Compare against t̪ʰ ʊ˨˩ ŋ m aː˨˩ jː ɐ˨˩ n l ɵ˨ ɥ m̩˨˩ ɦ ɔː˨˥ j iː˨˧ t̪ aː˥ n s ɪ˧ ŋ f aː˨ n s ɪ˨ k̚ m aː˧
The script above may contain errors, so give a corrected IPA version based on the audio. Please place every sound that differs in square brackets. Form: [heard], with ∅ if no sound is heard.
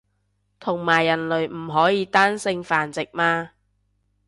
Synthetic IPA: t̪ʰ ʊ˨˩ ŋ m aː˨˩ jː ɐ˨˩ n l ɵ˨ ɥ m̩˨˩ ɦ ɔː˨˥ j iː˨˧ t̪ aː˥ n s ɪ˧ ŋ f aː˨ n [t͡s] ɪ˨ k̚ m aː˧